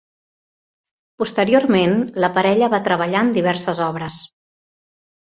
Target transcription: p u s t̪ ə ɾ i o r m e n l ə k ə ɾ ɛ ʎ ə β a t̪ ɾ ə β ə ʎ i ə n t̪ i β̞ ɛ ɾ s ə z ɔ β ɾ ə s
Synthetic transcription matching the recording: p u s t̪ ə ɾ i o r m e n l ə p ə ɾ ɛ ʎ ə β a t̪ ɾ ə β ə ʎ a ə n d̪ i β̞ ɛ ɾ s ə z ɔ β ɾ ə s